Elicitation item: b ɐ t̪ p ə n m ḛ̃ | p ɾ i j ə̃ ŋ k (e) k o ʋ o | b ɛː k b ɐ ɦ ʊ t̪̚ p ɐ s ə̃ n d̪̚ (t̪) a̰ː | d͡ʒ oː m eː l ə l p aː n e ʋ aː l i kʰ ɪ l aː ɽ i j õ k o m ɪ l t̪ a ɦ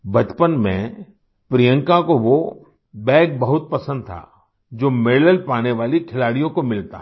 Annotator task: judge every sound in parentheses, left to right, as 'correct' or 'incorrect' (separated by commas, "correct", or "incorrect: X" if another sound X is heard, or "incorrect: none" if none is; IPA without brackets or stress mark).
incorrect: a, incorrect: t̪ʰ